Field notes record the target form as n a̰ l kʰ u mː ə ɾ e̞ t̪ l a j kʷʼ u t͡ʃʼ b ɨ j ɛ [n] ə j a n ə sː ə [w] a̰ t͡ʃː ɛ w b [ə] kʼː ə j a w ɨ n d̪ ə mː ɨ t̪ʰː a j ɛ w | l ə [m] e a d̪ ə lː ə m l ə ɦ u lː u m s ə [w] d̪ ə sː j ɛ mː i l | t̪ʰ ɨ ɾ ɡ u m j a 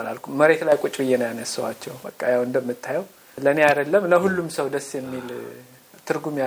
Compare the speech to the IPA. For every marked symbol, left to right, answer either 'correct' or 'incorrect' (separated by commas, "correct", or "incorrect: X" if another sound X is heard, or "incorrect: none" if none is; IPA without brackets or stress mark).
correct, correct, correct, incorrect: n, correct